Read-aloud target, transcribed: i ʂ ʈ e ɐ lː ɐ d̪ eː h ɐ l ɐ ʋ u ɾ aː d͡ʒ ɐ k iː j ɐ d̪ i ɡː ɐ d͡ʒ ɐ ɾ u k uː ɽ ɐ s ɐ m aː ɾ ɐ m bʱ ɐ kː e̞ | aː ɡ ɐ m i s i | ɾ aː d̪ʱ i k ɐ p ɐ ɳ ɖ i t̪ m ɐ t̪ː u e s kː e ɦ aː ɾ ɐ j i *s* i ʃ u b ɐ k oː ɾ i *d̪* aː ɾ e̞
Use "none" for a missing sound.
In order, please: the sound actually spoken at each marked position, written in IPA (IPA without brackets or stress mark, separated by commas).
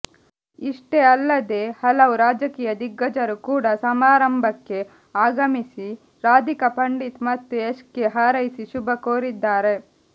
s, d̪ː